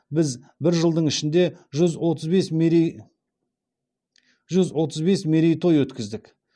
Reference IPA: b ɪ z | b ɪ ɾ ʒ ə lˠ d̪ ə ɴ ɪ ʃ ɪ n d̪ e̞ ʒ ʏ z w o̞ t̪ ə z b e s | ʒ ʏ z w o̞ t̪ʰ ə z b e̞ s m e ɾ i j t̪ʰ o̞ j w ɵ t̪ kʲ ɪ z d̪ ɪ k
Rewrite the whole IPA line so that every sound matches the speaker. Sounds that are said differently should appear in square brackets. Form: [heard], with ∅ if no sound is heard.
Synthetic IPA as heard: b ɪ z | b ɪ ɾ ʒ ə lˠ d̪ ə ɴ ɪ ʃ ɪ n d̪ e̞ ʒ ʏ z w o̞ t̪ ə z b e s | ʒ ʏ z w o̞ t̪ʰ ə z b e̞ s m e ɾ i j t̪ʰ o̞ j w ɵ t̪ kʲ ɪ z d̪ ɪ k

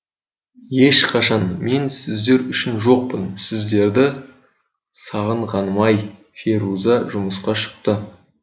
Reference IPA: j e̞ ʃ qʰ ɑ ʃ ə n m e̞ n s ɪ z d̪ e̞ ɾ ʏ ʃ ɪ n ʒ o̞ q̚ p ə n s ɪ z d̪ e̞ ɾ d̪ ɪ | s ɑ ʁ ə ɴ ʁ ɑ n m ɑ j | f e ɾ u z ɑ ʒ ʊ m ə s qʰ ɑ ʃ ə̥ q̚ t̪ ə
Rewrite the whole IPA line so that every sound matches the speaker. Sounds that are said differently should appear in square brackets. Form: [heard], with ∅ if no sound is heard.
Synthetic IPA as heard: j e̞ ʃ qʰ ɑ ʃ [ɑ] n m e̞ n s ɪ z d̪ e̞ ɾ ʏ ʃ ɪ n ʒ o̞ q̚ p ə n s ɪ z d̪ e̞ ɾ d̪ ɪ | s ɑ ʁ ə ɴ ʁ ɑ n m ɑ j | f e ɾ u z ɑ ʒ ʊ m ə s [q] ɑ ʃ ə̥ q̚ t̪ ə

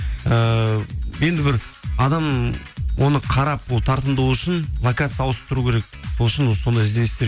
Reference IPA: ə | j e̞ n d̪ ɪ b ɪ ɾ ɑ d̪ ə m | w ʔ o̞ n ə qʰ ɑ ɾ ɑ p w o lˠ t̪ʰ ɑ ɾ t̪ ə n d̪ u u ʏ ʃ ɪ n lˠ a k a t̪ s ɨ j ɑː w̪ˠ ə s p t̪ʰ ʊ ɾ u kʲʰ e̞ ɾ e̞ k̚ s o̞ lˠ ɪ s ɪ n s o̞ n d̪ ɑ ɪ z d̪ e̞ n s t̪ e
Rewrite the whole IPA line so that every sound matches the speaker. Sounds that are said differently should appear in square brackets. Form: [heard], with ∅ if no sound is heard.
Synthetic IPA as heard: ə | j e̞ n d̪ ɪ b ɪ ɾ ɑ d̪ [ɑ] m | w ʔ o̞ n ə qʰ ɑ ɾ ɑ p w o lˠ t̪ʰ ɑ ɾ t̪ ə n d̪ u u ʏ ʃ ɪ n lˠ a k a t̪ s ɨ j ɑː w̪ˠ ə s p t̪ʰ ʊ ɾ u kʲʰ e̞ ɾ e̞ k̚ s o̞ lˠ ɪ [ʃ] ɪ n s o̞ n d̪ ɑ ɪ z d̪ e̞ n s t̪ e

